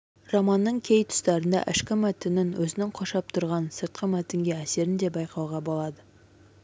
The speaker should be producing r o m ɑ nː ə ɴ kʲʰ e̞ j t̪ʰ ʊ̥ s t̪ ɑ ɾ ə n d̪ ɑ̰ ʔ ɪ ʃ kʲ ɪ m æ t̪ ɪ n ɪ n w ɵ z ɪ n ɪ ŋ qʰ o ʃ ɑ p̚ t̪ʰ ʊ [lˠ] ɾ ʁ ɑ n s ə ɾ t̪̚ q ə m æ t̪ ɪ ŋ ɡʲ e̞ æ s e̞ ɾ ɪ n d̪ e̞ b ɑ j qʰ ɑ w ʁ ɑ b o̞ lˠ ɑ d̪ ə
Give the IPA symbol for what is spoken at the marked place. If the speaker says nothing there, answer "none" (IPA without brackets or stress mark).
none